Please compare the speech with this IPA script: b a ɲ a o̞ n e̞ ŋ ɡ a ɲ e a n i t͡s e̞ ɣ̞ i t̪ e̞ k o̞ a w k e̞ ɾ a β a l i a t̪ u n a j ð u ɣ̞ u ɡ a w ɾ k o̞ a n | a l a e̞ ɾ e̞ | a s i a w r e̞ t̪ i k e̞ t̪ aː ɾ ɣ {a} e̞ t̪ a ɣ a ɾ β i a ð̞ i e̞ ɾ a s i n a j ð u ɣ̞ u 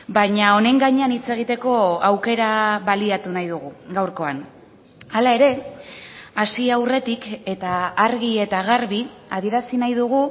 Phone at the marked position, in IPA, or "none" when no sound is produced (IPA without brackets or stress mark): i